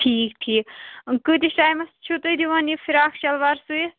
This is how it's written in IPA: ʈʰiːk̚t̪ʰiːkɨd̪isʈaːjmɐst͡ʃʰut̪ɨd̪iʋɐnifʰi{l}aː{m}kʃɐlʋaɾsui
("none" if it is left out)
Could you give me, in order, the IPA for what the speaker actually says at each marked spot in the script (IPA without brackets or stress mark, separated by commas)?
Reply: ɾ, none